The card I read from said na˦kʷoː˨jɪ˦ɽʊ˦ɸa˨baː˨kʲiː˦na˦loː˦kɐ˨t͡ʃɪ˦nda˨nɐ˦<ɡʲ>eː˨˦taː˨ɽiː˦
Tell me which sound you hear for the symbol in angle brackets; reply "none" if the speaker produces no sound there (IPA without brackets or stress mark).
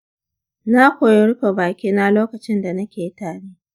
kʲ